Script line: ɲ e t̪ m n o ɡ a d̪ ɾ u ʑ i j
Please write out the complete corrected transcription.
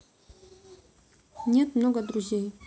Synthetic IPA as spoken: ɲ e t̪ m n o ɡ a d̪ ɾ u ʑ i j